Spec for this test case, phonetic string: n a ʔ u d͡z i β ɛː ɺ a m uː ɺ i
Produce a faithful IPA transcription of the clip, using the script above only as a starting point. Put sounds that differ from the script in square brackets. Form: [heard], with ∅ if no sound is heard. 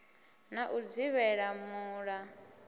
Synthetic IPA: n a ʔ u d͡z i β [ɛ] ɺ a m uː ɺ [a]